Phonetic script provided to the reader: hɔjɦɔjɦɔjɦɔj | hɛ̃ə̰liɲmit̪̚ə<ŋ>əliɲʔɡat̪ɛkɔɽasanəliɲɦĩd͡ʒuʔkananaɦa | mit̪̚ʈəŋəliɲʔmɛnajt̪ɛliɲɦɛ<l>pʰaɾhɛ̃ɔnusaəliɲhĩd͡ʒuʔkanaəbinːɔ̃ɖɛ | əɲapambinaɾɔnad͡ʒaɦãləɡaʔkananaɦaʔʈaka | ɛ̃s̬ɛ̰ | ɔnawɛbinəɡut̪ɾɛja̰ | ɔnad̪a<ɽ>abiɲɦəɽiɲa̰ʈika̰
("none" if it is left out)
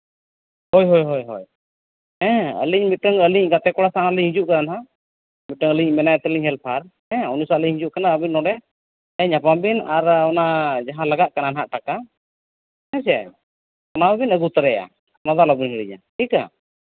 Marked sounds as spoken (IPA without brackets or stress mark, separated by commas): ŋ, l, l